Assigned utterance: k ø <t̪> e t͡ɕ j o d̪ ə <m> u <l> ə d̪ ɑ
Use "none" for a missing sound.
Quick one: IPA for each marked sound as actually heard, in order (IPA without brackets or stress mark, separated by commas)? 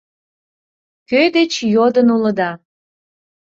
d̪, n, l